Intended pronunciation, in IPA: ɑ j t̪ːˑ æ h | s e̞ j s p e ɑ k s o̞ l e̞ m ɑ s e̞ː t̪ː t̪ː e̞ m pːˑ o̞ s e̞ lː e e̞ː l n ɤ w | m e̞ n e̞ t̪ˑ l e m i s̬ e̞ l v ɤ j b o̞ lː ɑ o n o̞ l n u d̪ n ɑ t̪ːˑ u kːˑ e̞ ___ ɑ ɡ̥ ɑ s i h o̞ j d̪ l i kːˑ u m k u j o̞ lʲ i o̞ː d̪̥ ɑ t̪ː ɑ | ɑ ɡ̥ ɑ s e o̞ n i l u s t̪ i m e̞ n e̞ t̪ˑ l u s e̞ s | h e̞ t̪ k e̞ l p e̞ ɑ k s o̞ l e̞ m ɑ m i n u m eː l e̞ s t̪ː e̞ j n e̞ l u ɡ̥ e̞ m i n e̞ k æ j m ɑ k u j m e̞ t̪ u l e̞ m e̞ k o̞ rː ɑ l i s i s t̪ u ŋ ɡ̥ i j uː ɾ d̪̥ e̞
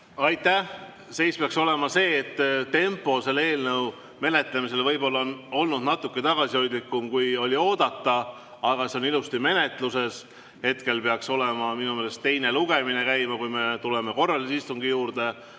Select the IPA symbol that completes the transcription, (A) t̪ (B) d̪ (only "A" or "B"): A